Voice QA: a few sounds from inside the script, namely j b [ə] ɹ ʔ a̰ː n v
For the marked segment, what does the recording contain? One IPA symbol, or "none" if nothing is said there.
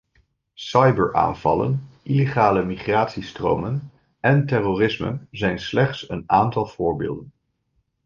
ə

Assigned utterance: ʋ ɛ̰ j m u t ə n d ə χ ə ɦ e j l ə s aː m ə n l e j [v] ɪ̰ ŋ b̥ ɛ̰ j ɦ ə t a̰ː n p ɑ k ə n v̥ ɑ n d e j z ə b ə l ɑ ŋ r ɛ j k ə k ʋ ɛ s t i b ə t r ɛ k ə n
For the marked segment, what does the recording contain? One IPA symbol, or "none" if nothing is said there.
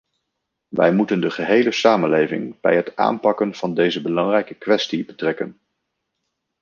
v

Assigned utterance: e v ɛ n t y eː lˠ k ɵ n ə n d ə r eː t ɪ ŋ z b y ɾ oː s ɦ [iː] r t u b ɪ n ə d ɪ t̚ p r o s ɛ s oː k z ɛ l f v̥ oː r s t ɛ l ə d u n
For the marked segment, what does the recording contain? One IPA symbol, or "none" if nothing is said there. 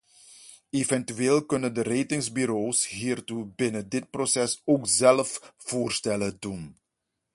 iː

